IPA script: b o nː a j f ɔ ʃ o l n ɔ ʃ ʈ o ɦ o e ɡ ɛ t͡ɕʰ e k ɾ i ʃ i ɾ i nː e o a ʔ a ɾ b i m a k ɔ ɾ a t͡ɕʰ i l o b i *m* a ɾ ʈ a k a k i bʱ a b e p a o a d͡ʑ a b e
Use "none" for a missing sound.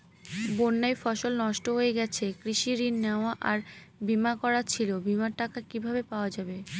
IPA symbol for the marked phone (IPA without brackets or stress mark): m